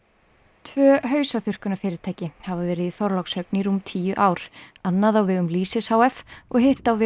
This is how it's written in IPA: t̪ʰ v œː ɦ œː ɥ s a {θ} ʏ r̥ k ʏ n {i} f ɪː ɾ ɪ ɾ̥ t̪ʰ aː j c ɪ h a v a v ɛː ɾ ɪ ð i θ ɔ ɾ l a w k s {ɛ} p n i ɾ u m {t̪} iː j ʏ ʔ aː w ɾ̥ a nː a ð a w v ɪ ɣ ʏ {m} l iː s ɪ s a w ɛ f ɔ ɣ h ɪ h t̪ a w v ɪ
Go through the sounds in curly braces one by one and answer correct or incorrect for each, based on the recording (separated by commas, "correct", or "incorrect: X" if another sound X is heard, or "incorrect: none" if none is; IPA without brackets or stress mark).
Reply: correct, incorrect: a, incorrect: œ, incorrect: t̪ʰ, correct